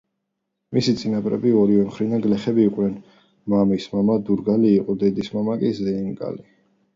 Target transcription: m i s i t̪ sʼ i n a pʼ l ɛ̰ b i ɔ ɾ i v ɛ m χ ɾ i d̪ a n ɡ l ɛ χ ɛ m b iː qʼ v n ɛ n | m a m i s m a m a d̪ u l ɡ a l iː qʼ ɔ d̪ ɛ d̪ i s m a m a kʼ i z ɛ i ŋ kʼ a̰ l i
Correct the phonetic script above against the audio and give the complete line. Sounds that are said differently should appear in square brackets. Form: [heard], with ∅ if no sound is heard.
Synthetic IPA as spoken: m i s i t̪ sʼ i n a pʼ [ɾ] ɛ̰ b i ɔ ɾ i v ɛ m χ ɾ i d̪ a n ɡ l ɛ χ ɛ [∅] b iː qʼ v n ɛ n | m a m i s m a m a d̪ u [ɾ] ɡ a l iː qʼ ɔ d̪ ɛ d̪ i s m a m a kʼ i z ɛ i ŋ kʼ a̰ l i